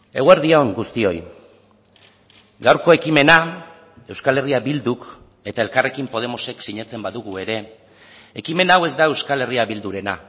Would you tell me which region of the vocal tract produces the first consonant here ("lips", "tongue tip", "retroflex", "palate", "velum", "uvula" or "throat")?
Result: velum